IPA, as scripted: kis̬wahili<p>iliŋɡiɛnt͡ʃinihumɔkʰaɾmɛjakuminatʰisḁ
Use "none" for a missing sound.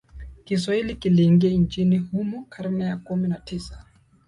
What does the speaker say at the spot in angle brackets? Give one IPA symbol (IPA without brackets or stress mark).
k